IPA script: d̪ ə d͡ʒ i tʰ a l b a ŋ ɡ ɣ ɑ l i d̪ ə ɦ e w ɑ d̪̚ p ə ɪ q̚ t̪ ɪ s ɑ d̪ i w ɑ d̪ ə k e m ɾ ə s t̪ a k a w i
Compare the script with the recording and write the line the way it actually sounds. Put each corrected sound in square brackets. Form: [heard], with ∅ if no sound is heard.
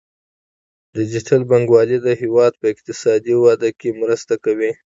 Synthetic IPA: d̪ ə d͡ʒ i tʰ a l b a ŋ ɡ [w] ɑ l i d̪ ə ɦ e w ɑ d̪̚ p ə ɪ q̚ t̪ ɪ s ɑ d̪ i w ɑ d̪ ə k e m ɾ ə s t̪ a k a w i